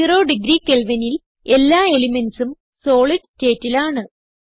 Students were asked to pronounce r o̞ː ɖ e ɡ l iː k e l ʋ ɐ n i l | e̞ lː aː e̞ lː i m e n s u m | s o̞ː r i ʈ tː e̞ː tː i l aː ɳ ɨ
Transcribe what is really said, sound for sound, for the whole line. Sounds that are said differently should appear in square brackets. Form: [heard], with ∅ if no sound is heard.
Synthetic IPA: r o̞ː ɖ [i] ɡ [ɾ] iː k e l ʋ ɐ n i l | e̞ lː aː e̞ [l] i m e n s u m | s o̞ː [ɭ] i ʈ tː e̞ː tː i l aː ɳ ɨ